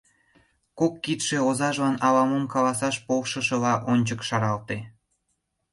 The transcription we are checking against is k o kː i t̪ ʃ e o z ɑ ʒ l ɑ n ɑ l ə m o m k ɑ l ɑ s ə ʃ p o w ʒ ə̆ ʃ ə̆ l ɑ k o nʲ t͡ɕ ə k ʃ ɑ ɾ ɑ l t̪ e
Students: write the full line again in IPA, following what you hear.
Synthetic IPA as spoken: k o kː i t̪ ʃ e o z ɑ ʒ l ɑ n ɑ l ɑ m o m k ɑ l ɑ s ɑ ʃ p o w ʃ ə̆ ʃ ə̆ l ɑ ʔ o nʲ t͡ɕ ə k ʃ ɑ ɾ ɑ l t̪ e